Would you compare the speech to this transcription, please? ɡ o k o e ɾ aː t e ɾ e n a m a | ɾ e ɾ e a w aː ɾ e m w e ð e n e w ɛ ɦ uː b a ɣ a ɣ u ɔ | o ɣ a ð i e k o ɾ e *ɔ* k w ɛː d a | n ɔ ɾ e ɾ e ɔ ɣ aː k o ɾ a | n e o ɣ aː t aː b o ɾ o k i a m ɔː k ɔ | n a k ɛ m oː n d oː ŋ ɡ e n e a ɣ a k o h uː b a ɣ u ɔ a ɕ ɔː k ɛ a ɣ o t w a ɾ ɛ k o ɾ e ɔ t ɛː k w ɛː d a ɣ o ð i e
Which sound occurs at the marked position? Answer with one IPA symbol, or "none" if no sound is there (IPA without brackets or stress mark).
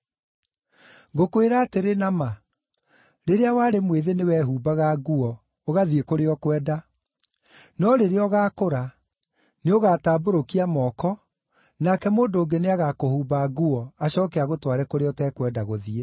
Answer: ɔ